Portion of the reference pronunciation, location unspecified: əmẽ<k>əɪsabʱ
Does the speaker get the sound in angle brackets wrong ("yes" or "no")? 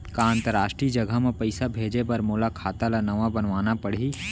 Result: yes